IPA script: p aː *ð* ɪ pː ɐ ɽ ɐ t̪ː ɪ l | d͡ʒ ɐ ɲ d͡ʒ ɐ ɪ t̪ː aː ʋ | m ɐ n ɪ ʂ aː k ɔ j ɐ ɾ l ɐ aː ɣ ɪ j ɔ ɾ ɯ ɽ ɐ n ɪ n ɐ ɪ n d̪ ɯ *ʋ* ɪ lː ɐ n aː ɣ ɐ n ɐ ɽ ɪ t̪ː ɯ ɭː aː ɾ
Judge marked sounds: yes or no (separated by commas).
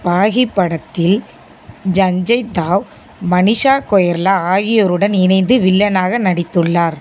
no, yes